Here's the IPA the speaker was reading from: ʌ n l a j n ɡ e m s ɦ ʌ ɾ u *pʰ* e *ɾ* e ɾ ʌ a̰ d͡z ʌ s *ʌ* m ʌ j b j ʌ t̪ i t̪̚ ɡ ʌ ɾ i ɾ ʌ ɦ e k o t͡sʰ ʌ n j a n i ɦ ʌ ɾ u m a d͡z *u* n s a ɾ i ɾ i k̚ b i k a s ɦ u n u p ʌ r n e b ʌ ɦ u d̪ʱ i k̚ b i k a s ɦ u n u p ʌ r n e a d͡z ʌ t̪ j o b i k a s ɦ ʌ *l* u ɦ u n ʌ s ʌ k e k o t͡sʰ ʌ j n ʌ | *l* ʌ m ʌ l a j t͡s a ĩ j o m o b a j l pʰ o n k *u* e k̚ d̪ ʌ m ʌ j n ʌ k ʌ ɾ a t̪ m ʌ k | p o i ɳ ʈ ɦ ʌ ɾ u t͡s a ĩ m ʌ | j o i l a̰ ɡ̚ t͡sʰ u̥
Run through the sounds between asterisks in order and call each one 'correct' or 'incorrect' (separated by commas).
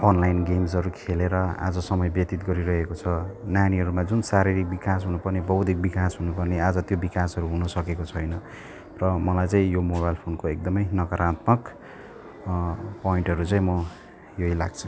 incorrect, incorrect, correct, correct, incorrect, incorrect, incorrect